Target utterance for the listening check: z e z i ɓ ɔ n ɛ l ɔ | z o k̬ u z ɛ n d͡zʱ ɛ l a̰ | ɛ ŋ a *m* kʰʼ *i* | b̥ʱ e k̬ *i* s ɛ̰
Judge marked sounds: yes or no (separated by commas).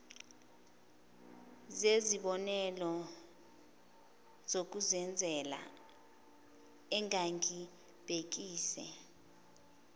no, yes, no